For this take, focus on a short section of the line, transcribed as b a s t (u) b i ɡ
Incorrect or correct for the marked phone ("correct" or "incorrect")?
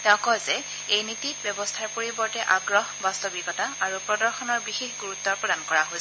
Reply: incorrect